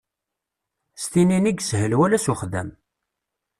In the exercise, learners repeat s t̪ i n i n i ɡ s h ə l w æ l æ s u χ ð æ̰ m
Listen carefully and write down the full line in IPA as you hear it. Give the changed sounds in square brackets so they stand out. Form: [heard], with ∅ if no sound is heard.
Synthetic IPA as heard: s t̪ i n i n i ɡ s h ə l w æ l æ s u χ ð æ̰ m